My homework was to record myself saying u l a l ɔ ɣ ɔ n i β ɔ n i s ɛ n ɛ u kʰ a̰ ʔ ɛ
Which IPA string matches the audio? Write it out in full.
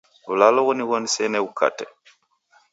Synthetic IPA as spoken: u l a l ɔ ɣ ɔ n i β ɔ n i s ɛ n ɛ u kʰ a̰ t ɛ